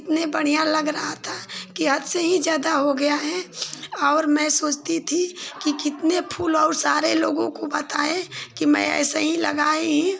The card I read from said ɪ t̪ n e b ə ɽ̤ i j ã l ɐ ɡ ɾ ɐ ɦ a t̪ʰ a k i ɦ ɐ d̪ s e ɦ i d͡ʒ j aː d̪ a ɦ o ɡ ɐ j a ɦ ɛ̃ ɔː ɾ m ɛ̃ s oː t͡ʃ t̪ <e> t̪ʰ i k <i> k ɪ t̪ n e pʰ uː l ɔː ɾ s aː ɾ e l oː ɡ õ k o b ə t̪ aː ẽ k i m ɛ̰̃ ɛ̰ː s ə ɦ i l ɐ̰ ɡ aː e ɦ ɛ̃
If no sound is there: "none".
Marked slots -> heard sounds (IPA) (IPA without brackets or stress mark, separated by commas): i, i